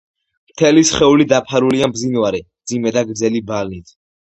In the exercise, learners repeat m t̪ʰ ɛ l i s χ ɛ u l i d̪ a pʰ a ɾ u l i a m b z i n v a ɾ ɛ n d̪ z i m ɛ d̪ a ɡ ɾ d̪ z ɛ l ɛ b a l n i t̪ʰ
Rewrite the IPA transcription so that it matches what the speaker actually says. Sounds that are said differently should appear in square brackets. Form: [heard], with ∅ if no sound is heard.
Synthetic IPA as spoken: m t̪ʰ ɛ l i s χ ɛ u l i d̪ a pʰ a ɾ u l i a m b z i n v a ɾ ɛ [m] d̪ z i m ɛ d̪ a ɡ ɾ d̪ z ɛ l [i] b a l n i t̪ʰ